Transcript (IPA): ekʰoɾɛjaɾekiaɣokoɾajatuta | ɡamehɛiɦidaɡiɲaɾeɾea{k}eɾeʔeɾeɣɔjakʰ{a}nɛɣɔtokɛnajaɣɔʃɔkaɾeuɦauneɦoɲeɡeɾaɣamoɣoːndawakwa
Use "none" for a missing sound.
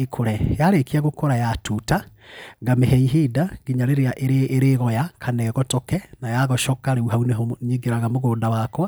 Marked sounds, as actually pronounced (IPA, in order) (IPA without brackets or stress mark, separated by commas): ʔ, a